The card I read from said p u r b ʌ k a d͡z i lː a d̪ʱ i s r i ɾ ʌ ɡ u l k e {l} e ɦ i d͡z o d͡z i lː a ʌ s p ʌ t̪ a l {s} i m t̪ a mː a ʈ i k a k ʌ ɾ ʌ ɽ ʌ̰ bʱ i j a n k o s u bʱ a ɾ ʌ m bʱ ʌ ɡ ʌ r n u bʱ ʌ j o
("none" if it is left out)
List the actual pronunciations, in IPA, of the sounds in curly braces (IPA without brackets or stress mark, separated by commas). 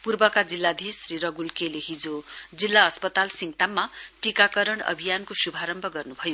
l, s